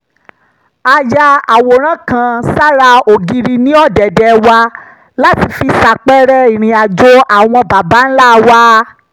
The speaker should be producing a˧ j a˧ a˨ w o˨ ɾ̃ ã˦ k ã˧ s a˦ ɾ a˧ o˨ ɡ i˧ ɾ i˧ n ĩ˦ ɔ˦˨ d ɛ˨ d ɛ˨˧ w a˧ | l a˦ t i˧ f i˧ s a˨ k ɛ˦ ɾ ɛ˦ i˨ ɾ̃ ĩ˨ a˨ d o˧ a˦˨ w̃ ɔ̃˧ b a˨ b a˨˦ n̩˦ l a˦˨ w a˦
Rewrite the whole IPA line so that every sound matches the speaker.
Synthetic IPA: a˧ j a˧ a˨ w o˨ ɾ̃ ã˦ k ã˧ s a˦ ɾ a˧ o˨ ɡ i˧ ɾ i˧ n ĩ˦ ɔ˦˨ d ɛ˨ d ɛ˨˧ w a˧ | l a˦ t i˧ f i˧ s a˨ k͡p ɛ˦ ɾ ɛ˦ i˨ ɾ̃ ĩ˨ a˨ d͡ʒ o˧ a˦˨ w̃ ɔ̃˧ b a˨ b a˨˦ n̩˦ l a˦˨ w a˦